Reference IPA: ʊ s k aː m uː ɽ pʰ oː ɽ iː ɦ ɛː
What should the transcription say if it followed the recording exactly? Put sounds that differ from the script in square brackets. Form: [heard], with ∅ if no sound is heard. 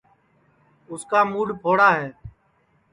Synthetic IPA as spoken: ʊ s k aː m uː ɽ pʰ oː ɽ [aː] ɦ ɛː